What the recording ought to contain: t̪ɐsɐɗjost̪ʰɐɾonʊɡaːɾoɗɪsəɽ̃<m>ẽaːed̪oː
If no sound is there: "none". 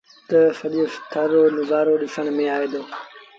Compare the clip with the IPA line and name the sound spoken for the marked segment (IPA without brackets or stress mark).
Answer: m